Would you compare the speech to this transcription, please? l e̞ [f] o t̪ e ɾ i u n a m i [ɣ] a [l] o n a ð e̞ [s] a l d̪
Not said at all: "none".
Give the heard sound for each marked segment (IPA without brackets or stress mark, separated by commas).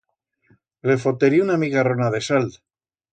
f, ɣ, r, s